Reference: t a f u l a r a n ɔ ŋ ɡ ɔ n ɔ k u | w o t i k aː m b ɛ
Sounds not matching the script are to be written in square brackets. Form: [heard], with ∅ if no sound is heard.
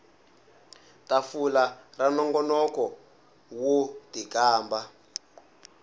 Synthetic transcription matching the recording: t a f u l a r a n ɔ ŋ ɡ ɔ n ɔ k [ɔ] | w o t i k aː m b [a]